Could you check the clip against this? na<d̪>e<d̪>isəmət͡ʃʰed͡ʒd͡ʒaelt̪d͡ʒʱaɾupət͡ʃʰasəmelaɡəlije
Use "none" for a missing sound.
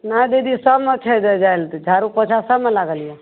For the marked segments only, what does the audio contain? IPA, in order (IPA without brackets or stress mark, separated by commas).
d̪, d̪